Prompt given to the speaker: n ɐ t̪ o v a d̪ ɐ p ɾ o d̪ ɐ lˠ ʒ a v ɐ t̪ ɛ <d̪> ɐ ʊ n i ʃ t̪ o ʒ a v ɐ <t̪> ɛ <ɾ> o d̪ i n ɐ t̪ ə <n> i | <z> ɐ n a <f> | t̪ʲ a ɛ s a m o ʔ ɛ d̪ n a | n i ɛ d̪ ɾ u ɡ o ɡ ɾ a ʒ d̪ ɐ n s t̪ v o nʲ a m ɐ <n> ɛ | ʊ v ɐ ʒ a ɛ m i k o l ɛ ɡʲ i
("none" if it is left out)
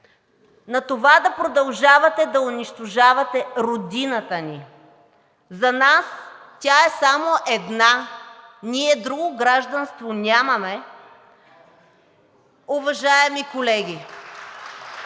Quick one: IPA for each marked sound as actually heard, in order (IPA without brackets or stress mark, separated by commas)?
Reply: d̪, t̪, ɾ, n, z, s, m